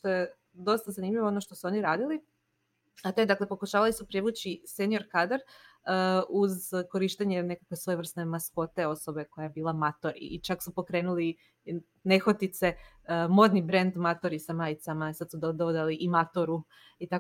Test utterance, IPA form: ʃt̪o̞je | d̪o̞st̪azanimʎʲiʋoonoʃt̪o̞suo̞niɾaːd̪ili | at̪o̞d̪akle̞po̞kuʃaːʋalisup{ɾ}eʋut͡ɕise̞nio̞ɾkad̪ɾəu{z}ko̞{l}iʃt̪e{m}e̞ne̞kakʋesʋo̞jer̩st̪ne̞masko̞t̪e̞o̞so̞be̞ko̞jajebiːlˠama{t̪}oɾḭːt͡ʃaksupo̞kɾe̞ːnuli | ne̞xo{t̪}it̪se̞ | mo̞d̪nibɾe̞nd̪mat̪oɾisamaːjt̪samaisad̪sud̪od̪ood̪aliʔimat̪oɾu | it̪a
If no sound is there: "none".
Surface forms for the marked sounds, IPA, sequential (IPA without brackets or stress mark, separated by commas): ɾ, z, ɾ, ɲ, t̪, t̪